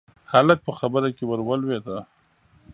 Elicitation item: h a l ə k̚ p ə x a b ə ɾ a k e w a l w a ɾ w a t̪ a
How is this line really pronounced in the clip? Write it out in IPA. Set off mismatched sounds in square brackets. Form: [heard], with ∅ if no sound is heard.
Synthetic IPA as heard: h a l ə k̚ p ə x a b ə ɾ a k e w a [ɾ] w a [l] w [e] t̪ a